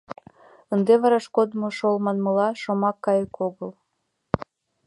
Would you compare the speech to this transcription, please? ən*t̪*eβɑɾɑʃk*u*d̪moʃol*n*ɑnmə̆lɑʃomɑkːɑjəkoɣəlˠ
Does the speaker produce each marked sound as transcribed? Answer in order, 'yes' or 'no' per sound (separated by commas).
no, no, no